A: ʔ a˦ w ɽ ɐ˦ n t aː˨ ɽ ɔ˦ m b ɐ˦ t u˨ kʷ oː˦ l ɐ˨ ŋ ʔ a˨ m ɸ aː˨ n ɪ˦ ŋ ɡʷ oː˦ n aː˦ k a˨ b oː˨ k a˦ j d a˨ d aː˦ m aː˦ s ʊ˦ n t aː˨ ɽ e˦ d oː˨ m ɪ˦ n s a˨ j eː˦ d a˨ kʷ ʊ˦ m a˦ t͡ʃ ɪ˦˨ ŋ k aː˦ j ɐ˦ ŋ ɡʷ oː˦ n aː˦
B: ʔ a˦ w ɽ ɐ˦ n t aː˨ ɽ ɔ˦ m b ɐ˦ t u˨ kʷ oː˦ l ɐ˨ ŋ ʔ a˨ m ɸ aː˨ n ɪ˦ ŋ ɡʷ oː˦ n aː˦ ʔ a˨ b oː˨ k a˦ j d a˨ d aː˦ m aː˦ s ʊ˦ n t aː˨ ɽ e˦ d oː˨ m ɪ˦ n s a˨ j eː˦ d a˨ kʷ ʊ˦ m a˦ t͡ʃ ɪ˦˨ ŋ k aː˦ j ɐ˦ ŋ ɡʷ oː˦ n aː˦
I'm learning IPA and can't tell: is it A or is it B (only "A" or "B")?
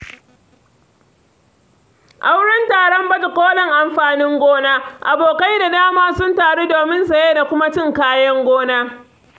B